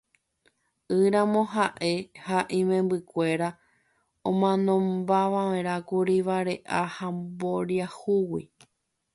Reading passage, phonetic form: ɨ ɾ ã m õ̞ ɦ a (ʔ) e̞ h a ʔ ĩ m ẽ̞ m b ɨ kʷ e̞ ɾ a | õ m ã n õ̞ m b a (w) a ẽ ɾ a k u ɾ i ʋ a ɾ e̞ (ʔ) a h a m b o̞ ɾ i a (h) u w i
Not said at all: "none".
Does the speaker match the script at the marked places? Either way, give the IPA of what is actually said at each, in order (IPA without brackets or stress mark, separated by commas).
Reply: ʔ, ʋ, ʔ, h